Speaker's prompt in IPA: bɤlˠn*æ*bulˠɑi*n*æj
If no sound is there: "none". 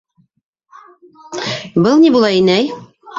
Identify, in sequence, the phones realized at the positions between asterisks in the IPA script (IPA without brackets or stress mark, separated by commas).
i, n